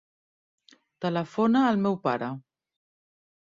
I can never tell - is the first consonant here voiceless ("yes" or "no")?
yes